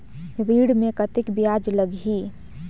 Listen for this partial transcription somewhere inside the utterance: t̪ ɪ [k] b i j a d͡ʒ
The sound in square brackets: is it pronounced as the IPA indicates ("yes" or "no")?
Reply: yes